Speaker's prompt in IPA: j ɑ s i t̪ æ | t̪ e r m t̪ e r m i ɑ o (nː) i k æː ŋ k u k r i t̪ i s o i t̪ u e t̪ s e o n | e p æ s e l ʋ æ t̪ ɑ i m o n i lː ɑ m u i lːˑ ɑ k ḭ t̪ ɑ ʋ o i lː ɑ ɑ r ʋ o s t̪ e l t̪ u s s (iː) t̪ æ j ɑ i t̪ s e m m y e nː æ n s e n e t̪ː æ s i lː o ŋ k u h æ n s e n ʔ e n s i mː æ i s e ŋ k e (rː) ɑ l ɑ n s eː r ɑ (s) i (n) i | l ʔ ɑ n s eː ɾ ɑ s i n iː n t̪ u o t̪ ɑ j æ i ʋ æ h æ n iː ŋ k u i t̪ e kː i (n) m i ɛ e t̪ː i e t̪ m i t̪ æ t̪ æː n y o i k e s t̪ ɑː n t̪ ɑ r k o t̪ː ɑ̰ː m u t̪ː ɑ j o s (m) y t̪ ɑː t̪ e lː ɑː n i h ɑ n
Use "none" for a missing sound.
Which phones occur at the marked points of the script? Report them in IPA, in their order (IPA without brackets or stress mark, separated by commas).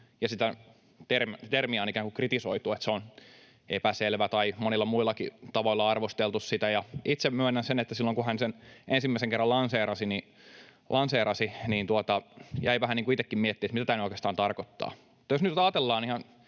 n, i, rː, s, n, m, n